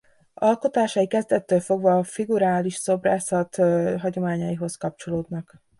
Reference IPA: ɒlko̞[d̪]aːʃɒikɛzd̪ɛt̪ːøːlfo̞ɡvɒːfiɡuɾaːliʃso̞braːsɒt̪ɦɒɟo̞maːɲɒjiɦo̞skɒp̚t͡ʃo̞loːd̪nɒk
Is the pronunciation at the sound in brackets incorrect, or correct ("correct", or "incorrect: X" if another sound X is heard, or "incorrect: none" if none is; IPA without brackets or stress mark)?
incorrect: t̪